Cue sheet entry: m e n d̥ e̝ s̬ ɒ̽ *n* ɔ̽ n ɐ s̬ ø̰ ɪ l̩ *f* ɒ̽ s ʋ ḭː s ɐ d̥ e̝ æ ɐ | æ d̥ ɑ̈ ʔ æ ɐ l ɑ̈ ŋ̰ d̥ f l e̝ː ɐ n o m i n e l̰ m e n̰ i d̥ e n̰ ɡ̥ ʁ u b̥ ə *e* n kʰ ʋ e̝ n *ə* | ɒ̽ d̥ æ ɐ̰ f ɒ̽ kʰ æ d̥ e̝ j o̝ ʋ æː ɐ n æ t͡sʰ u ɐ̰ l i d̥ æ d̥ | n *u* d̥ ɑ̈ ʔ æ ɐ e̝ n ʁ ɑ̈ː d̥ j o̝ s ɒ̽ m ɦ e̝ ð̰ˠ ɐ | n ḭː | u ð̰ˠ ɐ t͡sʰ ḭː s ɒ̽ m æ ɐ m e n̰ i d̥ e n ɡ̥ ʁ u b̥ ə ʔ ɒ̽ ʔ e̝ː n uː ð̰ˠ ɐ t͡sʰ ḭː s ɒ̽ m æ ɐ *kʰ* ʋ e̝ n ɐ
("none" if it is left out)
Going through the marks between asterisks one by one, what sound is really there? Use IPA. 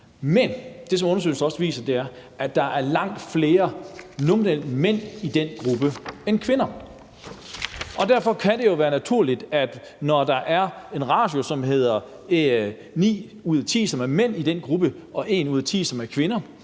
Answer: m, s, e, ɐ, ɒ, kʰ

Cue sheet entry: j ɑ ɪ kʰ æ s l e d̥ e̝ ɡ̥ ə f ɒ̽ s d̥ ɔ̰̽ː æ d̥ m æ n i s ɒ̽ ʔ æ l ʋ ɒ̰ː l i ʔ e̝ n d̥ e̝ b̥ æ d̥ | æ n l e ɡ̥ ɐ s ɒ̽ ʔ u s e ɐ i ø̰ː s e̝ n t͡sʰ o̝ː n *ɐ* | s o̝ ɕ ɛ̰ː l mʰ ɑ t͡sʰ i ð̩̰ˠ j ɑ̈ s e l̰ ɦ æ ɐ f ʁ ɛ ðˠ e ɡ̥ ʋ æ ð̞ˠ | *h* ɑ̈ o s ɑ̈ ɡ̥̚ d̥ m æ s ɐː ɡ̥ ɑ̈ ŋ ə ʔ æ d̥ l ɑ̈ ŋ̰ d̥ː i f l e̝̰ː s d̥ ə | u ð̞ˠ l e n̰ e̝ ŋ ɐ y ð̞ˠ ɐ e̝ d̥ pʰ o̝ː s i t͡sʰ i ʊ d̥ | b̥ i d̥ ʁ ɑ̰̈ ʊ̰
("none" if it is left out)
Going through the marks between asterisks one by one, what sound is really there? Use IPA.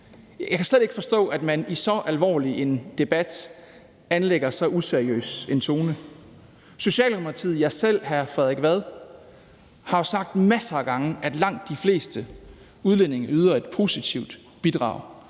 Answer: ə, h

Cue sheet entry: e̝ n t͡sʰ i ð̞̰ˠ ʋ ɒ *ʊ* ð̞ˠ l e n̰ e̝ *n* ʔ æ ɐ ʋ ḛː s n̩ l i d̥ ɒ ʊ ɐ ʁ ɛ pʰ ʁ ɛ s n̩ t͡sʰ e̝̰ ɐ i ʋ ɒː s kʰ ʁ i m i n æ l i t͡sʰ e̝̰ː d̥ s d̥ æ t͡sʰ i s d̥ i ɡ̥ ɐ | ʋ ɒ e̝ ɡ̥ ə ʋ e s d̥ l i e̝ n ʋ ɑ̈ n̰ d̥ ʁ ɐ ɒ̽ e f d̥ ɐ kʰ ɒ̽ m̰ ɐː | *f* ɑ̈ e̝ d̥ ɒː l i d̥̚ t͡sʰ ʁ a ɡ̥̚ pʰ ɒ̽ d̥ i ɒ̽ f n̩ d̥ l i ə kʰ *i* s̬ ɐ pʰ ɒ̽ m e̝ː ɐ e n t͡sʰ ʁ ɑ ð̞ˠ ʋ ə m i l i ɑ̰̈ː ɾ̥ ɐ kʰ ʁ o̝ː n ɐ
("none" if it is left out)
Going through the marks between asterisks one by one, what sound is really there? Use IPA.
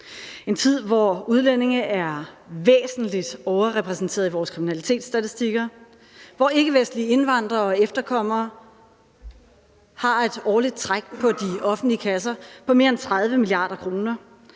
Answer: u, ŋ, h, æ

